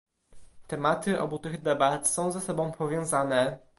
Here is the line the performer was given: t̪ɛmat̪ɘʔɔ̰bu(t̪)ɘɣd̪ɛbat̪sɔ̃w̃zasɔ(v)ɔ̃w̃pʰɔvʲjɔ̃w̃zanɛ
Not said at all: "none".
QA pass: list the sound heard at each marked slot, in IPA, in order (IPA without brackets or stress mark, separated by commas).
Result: t̪, b